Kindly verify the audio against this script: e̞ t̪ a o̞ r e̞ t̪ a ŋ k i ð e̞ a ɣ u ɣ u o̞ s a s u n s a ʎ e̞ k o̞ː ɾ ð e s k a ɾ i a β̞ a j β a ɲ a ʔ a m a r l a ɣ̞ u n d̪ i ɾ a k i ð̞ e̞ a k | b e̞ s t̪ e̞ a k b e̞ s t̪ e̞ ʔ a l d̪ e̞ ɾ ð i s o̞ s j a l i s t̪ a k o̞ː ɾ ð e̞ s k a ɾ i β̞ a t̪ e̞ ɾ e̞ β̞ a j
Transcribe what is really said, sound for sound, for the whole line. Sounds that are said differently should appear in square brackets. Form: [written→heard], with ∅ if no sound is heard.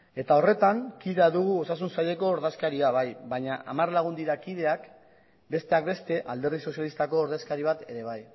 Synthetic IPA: e̞ t̪ a o̞ r e̞ t̪ a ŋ k i ð e̞ a [ɣ→ð] u ɣ u o̞ s a s u n s a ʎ e̞ k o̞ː ɾ ð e s k a ɾ i a β̞ a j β a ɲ a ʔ a m a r l a ɣ̞ u n d̪ i ɾ a k i ð̞ e̞ a k | b e̞ s t̪ e̞ a k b e̞ s t̪ e̞ ʔ a l d̪ e̞ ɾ ð i s o̞ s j a l i s t̪ a k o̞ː ɾ ð e̞ s k a ɾ i β̞ a t̪ e̞ ɾ e̞ β̞ a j